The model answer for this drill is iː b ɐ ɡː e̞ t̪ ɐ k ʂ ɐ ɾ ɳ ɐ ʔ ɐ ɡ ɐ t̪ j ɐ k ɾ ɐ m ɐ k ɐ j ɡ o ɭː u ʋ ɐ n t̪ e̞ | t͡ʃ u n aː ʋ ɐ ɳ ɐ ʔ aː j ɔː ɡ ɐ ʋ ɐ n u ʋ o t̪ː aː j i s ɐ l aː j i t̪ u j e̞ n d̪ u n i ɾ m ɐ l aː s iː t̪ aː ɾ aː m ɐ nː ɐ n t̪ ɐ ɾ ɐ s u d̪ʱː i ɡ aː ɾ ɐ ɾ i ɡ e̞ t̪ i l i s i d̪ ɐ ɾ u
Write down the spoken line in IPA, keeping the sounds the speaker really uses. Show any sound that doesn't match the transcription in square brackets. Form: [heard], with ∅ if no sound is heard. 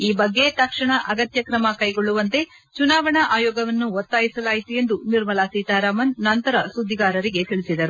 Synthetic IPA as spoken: iː b ɐ ɡː e̞ t̪ ɐ k ʂ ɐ [∅] ɳ ɐ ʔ ɐ ɡ ɐ t̪ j ɐ k ɾ ɐ m ɐ k ɐ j ɡ o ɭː u ʋ ɐ n t̪ e̞ | t͡ʃ u n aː ʋ ɐ ɳ ɐ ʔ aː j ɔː ɡ ɐ ʋ ɐ [nː] u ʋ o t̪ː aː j i s ɐ l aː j i t̪ u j e̞ n d̪ u n i ɾ m ɐ l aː s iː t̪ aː ɾ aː m ɐ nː ɐ n t̪ ɐ ɾ ɐ s u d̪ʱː i ɡ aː ɾ ɐ ɾ i ɡ e̞ t̪ i [ɭ] i s i d̪ ɐ ɾ u